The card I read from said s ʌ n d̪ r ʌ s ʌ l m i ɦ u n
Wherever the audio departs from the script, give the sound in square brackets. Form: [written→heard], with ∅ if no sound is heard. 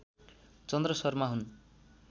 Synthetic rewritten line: [s→t͡s] ʌ n d̪ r ʌ s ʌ [l→r] m [i→a] ɦ u n

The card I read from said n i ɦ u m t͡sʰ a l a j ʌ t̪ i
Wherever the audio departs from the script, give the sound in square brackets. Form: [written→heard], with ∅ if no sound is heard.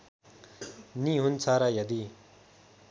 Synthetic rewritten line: n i ɦ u [m→n] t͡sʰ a [l→ɾ] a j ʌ [t̪→d̪] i

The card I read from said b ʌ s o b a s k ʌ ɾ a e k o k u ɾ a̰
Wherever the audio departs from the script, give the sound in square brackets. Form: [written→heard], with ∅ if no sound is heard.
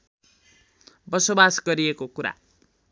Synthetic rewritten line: b ʌ s o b a s [k→ɡ] ʌ ɾ [a→i] e k o k u ɾ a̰

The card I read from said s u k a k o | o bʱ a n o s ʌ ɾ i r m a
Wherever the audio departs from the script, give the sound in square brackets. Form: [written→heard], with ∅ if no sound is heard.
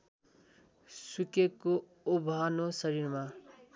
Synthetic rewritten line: s u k [a→e] k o | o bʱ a n o s ʌ ɾ i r m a

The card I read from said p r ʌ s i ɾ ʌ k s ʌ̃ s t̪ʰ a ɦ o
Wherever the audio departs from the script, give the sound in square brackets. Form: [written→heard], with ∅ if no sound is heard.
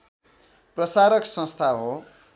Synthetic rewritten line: p r ʌ s [i→a] ɾ ʌ k s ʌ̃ s t̪ʰ a ɦ o

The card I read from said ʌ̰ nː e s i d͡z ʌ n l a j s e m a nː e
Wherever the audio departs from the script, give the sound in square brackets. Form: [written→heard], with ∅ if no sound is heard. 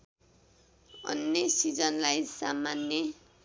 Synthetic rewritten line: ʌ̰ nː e s i d͡z ʌ n l a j s [e→a] m a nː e

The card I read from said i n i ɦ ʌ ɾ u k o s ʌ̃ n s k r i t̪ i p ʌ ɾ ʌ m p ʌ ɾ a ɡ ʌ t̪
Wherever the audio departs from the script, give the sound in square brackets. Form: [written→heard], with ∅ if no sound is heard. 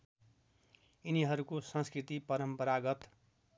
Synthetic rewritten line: i n i ɦ ʌ ɾ u k o s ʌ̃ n s k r i t̪ i p ʌ ɾ ʌ m p ʌ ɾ a ɡ ʌ t̪

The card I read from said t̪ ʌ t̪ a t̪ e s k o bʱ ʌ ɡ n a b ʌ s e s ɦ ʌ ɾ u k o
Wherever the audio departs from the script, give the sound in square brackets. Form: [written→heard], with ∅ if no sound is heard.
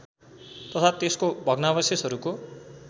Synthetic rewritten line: t̪ ʌ [t̪→t̪ʰ] a t̪ e s k o bʱ ʌ ɡ n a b ʌ s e s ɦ ʌ ɾ u k o

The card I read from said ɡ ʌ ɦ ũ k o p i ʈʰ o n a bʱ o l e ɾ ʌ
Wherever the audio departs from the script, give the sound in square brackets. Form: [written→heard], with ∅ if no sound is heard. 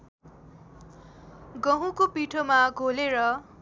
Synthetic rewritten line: ɡ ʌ ɦ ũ k o p i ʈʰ o [n→m] a [bʱ→ɡʱ] o l e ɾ ʌ

